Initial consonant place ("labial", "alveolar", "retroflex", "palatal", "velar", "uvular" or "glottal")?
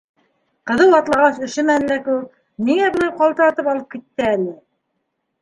uvular